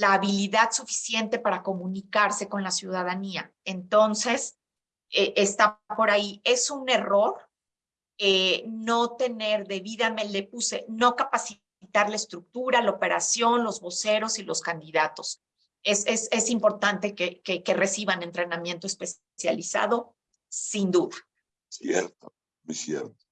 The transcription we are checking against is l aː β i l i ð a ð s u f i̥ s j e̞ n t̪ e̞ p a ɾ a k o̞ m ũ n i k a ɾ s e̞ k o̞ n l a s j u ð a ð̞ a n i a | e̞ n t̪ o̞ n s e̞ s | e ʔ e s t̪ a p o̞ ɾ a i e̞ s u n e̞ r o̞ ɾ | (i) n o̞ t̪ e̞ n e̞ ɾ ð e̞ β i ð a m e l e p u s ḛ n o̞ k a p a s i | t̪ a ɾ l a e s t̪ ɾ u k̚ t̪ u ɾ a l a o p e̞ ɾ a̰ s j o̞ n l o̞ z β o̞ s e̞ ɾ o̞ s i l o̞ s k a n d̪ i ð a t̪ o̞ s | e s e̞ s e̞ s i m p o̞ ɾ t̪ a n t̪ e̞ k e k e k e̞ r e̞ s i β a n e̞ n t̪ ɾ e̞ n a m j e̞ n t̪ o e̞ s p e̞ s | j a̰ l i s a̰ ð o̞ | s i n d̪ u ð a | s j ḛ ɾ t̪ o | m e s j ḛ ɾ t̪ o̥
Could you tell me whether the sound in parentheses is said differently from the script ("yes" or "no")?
yes